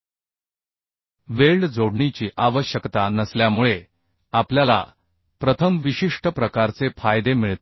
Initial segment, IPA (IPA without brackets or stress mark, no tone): ʋ